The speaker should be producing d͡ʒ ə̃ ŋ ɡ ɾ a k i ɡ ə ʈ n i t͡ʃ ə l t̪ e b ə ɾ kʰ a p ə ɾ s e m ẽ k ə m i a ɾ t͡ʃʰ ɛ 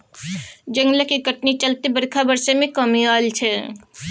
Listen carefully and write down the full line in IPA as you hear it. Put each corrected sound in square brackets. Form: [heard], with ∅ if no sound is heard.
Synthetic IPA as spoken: d͡ʒ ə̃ ŋ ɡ [l] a k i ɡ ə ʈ n i t͡ʃ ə l t̪ e b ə ɾ kʰ a [b] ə ɾ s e m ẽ k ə m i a [l] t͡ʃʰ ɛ